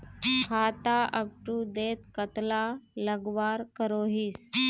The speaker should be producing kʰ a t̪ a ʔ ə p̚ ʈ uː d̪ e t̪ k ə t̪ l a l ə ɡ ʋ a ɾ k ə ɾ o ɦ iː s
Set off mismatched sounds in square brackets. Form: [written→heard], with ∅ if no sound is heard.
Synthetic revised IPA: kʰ a t̪ a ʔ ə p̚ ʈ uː d̪ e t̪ k ə t̪ l a l ə ɡ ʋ a ɾ k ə ɾ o ɦ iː s